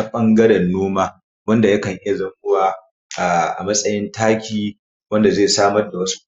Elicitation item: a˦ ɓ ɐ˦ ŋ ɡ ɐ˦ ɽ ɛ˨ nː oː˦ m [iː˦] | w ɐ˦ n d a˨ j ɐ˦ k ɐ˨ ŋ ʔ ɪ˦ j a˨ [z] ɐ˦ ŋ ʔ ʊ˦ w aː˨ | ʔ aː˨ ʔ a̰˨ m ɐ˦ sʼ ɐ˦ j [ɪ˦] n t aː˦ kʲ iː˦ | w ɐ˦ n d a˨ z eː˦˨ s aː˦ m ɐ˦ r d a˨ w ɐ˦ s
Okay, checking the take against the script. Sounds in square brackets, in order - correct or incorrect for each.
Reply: incorrect: aː˦, correct, correct

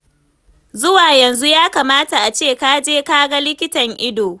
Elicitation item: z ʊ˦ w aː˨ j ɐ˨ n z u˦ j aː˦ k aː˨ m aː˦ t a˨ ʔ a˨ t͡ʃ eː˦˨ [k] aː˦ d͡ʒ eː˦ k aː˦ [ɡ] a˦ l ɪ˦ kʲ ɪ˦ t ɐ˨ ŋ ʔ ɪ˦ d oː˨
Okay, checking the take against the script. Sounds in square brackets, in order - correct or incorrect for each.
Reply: correct, correct

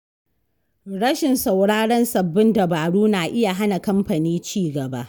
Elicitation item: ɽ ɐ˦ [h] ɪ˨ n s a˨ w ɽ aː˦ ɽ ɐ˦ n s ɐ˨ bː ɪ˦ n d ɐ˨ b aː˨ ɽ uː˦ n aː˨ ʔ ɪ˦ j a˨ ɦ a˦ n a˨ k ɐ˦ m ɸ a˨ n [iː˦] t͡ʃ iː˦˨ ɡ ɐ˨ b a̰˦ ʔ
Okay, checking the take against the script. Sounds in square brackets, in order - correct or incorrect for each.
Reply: incorrect: ʃ, correct

